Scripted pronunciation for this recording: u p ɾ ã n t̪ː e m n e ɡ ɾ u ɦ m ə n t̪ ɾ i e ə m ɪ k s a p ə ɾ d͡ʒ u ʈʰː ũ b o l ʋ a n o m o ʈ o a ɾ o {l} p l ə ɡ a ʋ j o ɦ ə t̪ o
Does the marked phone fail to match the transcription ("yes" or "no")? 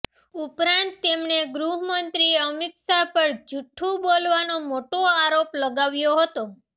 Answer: yes